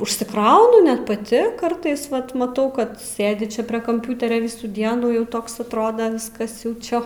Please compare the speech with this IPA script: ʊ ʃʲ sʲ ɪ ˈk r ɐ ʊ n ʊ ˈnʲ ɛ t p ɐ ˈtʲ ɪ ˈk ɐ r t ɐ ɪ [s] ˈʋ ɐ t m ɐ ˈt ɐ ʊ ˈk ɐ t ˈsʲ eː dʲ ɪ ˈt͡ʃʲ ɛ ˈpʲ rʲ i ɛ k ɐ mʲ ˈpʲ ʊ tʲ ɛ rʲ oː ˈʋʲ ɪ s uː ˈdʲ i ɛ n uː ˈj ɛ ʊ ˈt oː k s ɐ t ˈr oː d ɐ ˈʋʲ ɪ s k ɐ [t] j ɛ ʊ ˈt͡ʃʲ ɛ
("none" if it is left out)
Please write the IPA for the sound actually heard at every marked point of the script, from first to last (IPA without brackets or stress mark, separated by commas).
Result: s, s